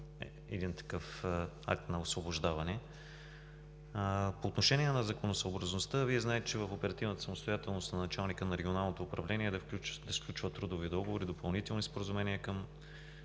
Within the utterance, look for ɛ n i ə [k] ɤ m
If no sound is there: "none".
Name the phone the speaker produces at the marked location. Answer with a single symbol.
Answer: k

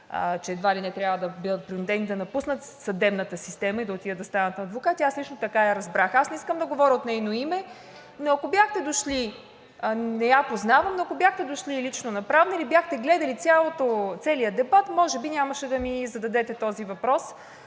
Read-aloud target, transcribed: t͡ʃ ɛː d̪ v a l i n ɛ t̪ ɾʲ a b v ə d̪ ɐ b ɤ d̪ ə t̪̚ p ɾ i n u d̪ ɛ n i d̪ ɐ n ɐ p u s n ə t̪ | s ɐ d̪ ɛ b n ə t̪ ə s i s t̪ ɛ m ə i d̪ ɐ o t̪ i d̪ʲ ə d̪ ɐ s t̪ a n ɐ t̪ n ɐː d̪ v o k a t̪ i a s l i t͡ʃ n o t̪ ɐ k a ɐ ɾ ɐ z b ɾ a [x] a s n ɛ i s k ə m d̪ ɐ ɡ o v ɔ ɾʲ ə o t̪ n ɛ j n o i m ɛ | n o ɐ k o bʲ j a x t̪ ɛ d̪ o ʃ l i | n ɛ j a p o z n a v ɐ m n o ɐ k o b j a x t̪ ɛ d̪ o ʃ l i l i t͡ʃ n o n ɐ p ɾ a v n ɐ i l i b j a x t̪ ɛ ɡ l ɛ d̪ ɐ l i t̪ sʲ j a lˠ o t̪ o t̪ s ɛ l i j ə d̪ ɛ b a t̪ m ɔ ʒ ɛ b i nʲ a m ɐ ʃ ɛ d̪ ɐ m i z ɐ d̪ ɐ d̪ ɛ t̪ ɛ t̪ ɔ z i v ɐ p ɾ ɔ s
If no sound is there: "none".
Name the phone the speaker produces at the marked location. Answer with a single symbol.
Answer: x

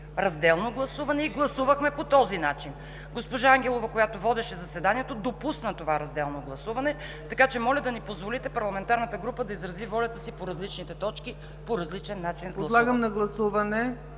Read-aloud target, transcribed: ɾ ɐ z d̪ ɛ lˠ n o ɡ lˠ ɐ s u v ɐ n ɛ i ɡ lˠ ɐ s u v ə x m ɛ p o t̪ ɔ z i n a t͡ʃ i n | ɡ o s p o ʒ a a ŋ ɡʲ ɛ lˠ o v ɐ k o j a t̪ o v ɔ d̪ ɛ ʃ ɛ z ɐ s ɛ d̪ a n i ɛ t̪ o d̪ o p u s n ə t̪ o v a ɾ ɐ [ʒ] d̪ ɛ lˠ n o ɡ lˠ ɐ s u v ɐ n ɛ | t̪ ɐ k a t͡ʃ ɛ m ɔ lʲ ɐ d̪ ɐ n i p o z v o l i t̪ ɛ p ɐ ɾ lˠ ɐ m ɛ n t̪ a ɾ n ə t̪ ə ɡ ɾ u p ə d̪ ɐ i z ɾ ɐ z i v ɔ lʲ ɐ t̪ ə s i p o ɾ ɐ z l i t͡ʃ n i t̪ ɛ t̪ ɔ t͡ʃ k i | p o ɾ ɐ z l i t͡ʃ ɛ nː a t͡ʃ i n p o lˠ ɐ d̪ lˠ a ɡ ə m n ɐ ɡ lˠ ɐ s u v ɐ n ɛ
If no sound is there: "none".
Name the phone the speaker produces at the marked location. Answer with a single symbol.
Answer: z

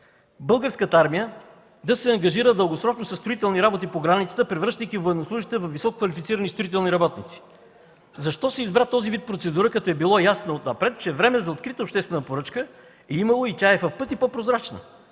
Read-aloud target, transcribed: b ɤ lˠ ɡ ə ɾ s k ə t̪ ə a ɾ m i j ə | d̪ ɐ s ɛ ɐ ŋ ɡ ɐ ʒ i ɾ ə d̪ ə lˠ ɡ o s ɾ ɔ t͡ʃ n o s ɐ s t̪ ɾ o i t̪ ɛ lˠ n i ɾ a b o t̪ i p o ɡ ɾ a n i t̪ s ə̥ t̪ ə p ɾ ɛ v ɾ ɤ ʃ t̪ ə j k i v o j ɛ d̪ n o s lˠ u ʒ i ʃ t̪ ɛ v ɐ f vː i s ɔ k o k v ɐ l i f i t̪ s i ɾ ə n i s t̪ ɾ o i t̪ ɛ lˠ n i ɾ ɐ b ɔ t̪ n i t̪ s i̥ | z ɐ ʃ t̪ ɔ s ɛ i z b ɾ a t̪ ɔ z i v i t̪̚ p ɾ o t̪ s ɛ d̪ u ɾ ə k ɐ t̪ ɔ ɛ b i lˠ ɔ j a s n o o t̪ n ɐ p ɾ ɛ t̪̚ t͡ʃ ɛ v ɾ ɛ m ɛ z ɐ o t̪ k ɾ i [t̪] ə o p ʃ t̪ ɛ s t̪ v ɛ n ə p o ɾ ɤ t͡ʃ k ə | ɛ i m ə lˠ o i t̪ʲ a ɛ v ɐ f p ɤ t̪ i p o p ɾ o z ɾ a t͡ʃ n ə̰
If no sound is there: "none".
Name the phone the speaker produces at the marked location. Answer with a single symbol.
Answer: t̪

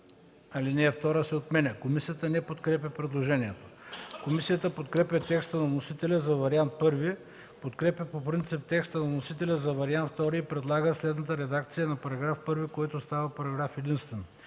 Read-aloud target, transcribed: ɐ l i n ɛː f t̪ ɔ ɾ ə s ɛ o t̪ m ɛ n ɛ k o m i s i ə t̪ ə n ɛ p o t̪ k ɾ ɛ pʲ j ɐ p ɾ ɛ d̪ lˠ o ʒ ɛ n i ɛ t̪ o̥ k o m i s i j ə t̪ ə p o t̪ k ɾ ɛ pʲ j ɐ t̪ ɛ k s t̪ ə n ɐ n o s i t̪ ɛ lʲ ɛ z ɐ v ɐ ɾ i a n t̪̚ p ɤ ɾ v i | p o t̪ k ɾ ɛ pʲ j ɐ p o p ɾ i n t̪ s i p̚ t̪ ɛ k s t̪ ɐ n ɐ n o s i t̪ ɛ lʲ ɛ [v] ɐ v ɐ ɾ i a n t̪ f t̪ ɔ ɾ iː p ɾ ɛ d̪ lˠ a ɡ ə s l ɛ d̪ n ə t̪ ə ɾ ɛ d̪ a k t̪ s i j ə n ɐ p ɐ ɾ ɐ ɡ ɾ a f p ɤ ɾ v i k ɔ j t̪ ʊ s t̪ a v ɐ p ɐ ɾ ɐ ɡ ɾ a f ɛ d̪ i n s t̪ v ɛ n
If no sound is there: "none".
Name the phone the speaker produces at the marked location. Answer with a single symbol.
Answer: z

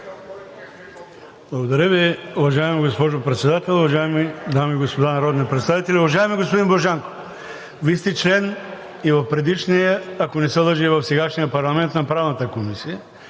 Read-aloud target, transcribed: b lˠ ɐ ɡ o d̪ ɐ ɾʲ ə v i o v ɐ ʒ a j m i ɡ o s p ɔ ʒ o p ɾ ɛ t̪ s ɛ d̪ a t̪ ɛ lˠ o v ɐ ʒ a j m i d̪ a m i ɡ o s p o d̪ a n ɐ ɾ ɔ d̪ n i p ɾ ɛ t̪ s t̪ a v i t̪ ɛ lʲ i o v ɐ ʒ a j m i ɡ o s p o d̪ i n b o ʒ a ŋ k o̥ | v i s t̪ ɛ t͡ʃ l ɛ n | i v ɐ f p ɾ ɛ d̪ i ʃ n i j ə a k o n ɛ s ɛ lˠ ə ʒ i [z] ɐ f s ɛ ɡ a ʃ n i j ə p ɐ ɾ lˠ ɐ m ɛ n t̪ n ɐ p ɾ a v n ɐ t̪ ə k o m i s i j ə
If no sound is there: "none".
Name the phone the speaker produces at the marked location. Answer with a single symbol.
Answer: v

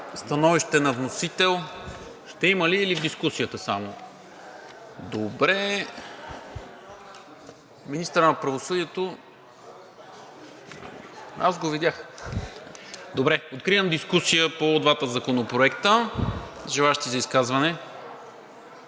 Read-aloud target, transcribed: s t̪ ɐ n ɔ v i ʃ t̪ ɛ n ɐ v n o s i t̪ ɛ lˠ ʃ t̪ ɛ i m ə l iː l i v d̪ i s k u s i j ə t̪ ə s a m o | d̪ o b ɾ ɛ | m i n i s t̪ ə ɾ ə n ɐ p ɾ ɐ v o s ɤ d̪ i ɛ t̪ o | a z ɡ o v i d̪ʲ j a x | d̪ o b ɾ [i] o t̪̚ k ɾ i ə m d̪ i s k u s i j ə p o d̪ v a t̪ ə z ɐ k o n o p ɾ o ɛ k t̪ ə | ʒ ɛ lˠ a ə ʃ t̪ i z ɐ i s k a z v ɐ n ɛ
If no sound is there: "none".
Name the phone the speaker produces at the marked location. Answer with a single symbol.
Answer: ɛ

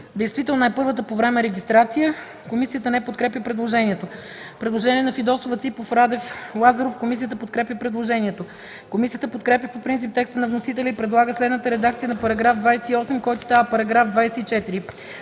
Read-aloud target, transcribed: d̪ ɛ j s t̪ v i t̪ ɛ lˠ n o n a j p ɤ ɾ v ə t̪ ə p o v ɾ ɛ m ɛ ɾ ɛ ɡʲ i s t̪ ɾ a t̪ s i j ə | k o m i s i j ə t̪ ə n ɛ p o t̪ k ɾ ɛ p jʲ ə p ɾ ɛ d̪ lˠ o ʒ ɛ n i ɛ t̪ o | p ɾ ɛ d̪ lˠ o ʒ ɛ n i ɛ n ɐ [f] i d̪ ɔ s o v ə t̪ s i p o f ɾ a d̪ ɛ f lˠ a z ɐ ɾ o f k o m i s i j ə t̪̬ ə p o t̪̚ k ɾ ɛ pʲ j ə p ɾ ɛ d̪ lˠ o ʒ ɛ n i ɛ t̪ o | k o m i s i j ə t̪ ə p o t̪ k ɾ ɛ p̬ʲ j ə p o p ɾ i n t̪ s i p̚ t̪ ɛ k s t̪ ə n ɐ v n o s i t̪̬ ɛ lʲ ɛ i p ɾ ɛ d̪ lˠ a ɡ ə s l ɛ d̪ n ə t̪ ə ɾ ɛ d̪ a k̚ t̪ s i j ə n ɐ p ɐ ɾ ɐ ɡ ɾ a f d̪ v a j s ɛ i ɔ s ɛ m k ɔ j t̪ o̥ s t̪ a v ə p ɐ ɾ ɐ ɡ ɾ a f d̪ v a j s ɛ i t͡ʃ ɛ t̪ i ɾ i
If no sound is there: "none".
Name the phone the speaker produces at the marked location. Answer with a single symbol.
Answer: f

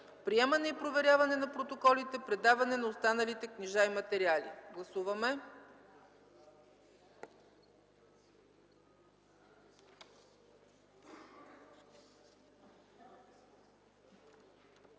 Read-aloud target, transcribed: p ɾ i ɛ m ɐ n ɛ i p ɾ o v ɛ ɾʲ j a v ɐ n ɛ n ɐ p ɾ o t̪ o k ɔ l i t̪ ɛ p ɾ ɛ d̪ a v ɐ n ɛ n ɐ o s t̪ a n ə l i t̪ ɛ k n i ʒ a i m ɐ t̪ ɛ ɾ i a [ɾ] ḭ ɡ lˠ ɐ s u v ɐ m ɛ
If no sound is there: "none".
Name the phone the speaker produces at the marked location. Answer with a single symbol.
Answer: l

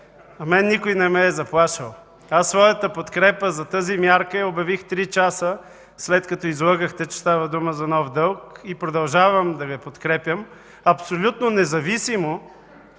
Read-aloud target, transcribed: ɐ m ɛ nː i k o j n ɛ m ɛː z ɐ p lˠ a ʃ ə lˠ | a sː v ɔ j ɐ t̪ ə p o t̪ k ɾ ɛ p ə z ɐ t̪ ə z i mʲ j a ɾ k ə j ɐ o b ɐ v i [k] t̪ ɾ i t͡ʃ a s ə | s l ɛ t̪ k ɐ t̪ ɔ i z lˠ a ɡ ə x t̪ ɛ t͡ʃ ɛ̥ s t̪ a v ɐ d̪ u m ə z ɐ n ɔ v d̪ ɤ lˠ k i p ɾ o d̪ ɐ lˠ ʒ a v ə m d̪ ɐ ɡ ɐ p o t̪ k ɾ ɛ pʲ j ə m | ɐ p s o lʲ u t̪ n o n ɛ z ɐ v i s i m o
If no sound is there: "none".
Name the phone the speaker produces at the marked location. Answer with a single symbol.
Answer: x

